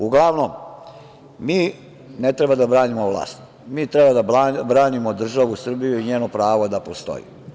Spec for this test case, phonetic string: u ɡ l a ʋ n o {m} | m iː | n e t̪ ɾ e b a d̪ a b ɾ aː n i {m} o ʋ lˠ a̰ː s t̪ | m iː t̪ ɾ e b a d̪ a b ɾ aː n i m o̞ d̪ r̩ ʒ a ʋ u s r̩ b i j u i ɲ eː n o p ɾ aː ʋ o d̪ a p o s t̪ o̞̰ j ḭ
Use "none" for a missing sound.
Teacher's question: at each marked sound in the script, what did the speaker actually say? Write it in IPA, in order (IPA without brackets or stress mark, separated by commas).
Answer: m, m